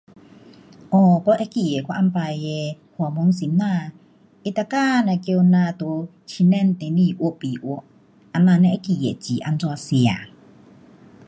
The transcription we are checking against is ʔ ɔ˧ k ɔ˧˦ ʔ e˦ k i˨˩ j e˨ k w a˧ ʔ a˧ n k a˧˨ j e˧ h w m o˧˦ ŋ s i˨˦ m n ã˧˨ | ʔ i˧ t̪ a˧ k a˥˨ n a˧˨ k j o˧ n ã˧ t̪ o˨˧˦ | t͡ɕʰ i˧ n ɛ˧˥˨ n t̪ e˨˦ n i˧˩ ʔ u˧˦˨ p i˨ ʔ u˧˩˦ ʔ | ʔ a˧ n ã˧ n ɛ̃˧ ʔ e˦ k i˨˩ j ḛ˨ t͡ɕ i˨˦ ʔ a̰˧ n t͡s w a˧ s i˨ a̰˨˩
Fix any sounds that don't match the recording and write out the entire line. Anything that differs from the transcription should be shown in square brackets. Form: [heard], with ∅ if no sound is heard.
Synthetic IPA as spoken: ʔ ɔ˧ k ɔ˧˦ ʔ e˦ k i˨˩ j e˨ k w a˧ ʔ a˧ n [p] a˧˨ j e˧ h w m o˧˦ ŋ s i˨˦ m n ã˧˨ | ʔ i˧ t̪ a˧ k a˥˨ n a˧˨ k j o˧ n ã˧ t̪ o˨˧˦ | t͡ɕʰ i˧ n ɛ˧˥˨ n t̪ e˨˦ n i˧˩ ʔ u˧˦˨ p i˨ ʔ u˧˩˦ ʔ | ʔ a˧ n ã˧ n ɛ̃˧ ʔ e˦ k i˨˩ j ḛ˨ t͡ɕ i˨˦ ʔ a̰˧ n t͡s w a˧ s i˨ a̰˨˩

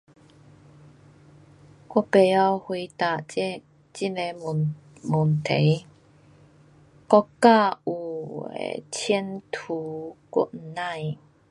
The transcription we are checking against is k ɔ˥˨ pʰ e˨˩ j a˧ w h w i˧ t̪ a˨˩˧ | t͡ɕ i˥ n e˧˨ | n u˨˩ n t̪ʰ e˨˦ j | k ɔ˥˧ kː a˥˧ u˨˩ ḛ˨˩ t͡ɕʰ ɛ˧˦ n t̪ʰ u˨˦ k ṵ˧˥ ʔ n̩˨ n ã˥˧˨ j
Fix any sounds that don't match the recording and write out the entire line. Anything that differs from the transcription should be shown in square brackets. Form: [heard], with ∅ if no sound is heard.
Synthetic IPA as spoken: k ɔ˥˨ [p] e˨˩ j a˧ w h w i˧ t̪ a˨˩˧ | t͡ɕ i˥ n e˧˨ | [m] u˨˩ n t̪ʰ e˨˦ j | k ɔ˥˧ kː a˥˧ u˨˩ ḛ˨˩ t͡ɕʰ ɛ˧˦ n t̪ʰ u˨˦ k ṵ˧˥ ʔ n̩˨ n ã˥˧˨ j

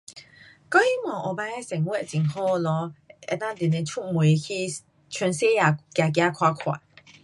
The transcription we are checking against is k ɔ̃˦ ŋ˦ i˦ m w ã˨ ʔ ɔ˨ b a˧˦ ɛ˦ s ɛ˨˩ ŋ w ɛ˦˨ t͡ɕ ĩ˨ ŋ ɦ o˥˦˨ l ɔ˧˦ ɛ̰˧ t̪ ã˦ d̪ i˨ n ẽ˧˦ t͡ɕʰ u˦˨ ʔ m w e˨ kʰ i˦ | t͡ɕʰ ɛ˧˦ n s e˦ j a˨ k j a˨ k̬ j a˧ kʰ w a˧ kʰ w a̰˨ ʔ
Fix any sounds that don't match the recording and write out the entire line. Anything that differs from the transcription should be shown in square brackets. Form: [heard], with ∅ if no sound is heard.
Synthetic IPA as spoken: k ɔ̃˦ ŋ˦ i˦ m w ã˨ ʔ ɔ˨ b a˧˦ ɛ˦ s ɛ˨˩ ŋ w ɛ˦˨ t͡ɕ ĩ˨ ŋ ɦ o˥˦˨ l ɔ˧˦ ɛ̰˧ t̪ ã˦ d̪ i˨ n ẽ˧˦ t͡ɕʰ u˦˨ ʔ m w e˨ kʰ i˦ | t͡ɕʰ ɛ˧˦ n s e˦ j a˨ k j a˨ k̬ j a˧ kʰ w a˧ kʰ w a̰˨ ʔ

